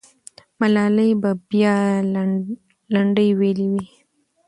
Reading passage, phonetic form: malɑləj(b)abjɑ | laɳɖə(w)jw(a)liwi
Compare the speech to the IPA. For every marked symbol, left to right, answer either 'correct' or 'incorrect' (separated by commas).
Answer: correct, incorrect, incorrect